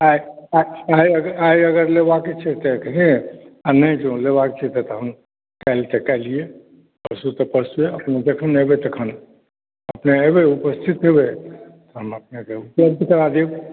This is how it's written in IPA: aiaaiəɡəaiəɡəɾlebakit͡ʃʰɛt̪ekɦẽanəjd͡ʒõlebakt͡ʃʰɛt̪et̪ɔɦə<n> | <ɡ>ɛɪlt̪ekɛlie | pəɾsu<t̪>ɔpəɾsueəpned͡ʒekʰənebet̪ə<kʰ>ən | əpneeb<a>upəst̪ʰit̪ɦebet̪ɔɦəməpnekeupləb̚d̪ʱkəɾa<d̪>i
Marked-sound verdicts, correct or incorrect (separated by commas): incorrect, incorrect, correct, correct, incorrect, correct